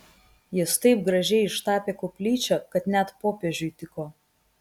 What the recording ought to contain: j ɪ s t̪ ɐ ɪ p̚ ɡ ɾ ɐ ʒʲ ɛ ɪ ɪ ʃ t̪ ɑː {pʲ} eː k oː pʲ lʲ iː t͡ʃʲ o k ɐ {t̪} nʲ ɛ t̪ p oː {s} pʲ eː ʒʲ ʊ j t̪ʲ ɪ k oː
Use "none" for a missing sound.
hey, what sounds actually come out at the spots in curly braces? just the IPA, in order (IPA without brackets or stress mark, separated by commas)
pʲ, t̪, none